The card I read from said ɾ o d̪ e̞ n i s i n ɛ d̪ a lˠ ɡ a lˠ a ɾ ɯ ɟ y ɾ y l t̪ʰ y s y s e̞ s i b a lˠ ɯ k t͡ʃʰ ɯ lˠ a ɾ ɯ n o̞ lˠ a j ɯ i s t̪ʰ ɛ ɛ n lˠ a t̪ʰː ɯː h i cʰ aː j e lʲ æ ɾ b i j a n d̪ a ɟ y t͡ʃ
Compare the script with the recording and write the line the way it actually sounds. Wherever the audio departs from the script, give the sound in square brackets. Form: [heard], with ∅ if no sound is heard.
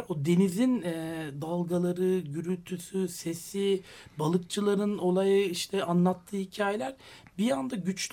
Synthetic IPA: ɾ o d̪ e̞ n i [z] i n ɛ d̪ a lˠ ɡ a lˠ a ɾ ɯ ɟ y ɾ y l t̪ʰ y s y s e̞ s i b a lˠ ɯ k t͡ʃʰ ɯ lˠ a ɾ ɯ n o̞ lˠ a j ɯ i [ʃ] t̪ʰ ɛ [a] n lˠ a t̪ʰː ɯː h i cʰ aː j e lʲ æ ɾ b i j a n d̪ a ɟ y t͡ʃ